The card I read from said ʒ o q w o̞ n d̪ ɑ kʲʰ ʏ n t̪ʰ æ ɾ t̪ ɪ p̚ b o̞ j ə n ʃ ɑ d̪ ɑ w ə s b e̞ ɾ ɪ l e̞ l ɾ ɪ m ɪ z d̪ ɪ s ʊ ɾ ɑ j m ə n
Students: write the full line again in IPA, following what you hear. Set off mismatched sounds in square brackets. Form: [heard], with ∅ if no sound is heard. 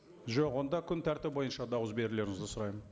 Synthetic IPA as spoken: ʒ o q w o̞ n d̪ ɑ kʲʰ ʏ n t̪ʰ æ ɾ t̪ ɪ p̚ b o̞ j ə n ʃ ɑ d̪ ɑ w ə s b e̞ ɾ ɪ l e̞ [∅] ɾ ɪ [ŋ] ɪ z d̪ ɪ s ʊ ɾ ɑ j m ə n